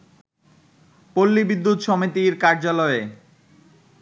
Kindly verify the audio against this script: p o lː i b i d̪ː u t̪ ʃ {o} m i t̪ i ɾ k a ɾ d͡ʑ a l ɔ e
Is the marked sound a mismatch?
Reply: yes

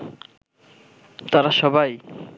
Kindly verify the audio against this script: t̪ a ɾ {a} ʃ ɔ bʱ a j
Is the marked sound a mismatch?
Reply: no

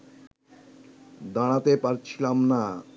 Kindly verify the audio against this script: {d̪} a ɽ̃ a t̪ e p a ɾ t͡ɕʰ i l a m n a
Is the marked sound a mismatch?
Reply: no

